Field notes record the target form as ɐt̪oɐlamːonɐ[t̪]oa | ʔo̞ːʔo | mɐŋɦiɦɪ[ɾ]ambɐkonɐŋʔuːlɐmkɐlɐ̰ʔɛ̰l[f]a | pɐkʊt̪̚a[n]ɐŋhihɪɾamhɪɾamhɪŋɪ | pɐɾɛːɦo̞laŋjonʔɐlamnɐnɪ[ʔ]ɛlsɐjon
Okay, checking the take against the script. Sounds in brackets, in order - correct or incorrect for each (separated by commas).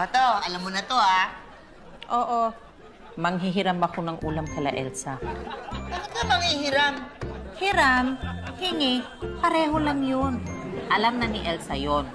correct, correct, incorrect, incorrect, correct